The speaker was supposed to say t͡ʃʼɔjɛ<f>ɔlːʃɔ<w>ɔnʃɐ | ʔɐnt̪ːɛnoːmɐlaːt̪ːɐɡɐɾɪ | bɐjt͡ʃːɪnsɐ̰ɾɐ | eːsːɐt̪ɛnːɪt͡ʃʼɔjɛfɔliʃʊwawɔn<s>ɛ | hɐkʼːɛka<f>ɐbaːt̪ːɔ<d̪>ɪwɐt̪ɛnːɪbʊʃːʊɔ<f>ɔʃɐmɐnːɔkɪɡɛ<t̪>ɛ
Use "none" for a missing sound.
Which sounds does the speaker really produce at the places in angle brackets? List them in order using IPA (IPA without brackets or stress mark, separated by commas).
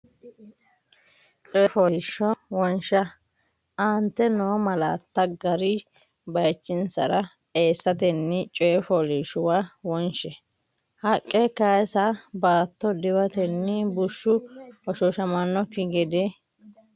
f, w, ʃ, s, d̪, ʃ, d̪